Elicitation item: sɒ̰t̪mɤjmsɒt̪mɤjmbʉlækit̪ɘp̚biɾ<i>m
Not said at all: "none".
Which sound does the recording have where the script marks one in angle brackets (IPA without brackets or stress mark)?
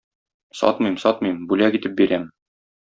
æ